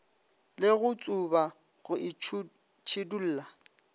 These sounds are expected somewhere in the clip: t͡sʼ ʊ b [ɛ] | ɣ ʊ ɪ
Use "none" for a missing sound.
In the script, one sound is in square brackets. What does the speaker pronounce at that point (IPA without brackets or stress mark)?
a